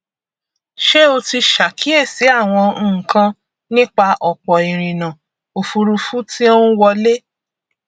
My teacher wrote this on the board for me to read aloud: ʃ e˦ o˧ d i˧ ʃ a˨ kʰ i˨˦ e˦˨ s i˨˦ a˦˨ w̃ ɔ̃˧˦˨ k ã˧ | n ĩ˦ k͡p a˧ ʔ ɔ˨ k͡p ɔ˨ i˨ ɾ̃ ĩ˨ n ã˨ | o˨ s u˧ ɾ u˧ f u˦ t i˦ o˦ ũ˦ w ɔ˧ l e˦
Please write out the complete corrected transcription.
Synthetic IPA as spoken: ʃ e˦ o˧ t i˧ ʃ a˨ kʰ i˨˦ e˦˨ s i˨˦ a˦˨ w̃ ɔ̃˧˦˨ k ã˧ | n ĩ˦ k͡p a˧ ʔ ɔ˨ k͡p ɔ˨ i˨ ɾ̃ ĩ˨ n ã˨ | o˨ f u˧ ɾ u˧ f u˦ t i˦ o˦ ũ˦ w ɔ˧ l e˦